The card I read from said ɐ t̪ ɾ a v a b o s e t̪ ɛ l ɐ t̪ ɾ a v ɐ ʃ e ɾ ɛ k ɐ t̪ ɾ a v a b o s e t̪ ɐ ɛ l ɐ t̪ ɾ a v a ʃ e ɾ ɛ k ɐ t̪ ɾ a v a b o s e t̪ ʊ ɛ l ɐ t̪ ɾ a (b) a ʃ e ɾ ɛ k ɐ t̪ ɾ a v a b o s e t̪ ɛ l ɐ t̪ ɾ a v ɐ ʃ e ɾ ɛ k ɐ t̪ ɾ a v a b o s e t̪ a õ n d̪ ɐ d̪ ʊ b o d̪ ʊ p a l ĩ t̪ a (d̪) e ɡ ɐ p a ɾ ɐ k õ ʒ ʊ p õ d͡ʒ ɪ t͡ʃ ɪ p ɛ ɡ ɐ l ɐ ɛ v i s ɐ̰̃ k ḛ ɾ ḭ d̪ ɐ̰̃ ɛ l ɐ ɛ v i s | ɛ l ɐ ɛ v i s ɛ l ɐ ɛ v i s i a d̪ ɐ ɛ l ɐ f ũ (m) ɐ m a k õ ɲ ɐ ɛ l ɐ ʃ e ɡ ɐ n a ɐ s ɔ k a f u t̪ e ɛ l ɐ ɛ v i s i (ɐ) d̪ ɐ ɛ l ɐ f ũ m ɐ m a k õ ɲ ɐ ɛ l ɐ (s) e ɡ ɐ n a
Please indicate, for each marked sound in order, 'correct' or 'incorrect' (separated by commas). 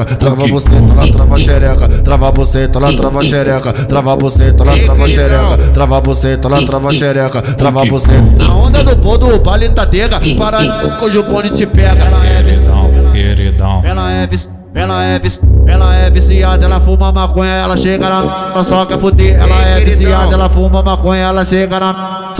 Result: incorrect, correct, correct, incorrect, incorrect